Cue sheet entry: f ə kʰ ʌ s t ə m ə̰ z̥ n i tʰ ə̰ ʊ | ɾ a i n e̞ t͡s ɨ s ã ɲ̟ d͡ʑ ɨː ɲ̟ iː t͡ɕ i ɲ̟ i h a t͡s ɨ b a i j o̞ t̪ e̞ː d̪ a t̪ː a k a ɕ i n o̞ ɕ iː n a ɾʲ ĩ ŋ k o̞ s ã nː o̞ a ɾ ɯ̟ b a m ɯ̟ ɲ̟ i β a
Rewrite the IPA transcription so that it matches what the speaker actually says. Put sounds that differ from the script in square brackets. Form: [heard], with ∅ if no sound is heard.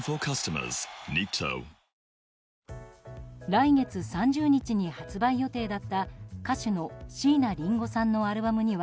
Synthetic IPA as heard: f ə kʰ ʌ s t ə m ə̰ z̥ n i tʰ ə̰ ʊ | ɾ a i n e̞ t͡s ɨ s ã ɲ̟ d͡ʑ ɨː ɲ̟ [i] t͡ɕ i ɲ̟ i h a t͡s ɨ b a i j o̞ t̪ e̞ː d̪ a t̪ː a k a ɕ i n o̞ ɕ iː n a ɾʲ ĩ ŋ [ɡ] o̞ s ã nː o̞ a ɾ ɯ̟ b a m ɯ̟ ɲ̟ i β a